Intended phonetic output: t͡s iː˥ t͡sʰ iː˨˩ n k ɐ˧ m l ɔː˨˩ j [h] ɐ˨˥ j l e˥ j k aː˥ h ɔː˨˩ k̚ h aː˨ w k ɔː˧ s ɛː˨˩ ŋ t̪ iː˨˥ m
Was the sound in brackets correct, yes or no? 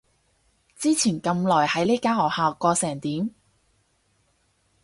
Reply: yes